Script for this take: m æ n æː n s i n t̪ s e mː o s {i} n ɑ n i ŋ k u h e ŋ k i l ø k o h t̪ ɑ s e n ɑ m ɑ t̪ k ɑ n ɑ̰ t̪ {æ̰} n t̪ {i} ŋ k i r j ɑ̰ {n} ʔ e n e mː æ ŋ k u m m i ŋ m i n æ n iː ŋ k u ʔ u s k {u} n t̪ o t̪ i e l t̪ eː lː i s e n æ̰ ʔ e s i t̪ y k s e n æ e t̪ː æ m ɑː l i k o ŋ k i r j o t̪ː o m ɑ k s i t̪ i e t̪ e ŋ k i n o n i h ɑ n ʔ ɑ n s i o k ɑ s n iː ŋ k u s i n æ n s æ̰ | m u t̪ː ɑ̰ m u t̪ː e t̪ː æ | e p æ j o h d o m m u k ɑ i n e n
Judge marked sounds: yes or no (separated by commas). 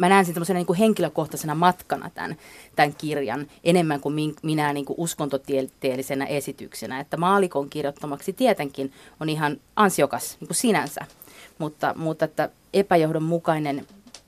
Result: no, yes, no, yes, no